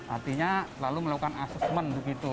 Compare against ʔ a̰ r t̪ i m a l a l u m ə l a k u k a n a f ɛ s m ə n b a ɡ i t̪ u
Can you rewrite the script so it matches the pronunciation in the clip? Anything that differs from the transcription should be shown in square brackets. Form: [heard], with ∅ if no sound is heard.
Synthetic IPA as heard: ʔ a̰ r t̪ i [ɲ] a l a l u m ə l a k u k a n a [s] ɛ s m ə n b [ə] ɡ i t̪ u